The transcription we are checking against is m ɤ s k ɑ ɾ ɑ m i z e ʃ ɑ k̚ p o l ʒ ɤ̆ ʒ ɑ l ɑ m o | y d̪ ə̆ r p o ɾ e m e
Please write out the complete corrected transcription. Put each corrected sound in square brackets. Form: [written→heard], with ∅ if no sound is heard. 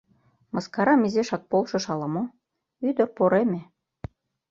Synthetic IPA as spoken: m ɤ s k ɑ ɾ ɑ m i z e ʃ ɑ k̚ p o l [ʒ→ʃ] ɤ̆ [ʒ→ʃ] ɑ l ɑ m o | y d̪ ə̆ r p o ɾ e m e

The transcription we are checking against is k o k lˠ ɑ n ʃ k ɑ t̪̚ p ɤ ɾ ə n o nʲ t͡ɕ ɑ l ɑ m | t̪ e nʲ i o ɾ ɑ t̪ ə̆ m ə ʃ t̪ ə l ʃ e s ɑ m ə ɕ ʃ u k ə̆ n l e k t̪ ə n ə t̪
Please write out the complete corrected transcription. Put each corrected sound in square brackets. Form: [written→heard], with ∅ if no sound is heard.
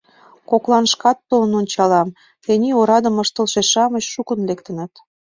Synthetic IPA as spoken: k o k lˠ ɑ n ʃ k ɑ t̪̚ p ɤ [ɾ→l] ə n o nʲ t͡ɕ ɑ l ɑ m | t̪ e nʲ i o ɾ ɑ [t̪→d̪] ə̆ m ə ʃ t̪ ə l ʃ e [s→ʃ] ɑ m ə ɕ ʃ u k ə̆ n l e k t̪ ə n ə t̪

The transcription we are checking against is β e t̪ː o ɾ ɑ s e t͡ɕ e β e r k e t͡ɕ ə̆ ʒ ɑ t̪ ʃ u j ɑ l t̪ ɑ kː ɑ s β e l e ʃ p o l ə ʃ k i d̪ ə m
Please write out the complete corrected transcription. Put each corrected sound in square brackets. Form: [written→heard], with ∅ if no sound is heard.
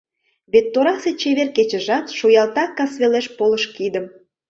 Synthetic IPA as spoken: β e t̪ː o ɾ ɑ s e t͡ɕ e β e r k e t͡ɕ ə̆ ʒ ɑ t̪ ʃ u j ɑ l t̪ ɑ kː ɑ s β e l e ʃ p o l ə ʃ k i d̪ ə m

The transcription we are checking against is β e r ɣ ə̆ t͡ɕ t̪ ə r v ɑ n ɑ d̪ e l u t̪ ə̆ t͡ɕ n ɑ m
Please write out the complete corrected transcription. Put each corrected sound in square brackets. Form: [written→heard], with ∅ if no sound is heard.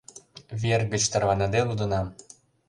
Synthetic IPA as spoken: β e r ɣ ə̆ t͡ɕ t̪ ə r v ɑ n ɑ d̪ e l u [t̪→d̪] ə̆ [t͡ɕ→∅] n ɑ m

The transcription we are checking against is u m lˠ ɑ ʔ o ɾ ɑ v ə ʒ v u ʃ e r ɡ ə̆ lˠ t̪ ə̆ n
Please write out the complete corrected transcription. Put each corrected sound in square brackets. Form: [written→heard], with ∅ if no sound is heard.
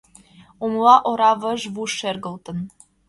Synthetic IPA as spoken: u m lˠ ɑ ʔ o ɾ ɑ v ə ʒ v u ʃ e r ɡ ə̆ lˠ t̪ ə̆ n

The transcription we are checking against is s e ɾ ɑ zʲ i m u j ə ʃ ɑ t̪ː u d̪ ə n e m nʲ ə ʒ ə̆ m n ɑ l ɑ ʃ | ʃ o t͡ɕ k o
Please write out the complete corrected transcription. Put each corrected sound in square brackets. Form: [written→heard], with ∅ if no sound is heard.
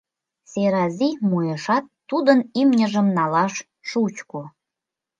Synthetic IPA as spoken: s e ɾ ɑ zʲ i m u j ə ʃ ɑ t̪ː u d̪ ə n [e→i] m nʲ ə ʒ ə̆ m n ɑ l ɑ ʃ | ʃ [o→u] t͡ɕ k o

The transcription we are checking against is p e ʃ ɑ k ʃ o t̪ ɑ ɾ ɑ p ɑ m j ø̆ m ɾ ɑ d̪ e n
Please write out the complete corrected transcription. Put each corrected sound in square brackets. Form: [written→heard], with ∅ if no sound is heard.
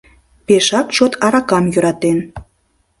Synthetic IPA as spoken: p e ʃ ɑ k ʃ o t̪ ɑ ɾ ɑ [p→k] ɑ m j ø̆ [m→∅] ɾ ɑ [d̪→t̪] e n

